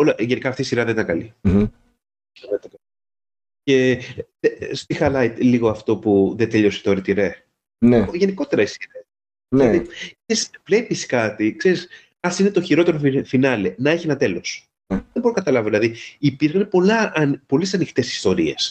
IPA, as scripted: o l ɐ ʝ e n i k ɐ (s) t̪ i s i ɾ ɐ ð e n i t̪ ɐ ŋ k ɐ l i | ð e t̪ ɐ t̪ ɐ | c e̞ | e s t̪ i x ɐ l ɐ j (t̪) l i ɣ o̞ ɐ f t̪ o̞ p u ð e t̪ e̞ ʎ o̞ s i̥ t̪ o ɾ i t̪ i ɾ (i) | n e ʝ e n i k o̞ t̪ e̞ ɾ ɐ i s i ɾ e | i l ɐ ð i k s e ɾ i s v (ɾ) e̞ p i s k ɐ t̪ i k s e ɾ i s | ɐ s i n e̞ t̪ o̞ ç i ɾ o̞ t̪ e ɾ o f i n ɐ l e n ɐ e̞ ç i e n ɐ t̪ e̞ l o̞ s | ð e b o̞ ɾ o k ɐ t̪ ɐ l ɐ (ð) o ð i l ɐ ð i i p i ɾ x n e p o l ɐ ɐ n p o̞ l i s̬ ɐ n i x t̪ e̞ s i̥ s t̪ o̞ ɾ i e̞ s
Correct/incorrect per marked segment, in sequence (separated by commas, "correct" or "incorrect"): incorrect, correct, incorrect, incorrect, incorrect